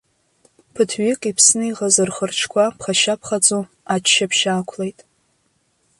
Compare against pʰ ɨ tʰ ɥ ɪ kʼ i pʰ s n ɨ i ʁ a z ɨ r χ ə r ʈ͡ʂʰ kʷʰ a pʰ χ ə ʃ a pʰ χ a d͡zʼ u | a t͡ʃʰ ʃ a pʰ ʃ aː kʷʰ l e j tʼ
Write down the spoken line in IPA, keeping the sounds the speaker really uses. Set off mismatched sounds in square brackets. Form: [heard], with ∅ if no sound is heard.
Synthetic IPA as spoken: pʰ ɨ tʰ ɥ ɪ kʼ i pʰ s n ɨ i ʁ a z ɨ r χ ə r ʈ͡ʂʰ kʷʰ a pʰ χ [a] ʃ a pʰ χ a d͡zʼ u | a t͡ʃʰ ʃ a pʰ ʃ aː kʷʰ l e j tʼ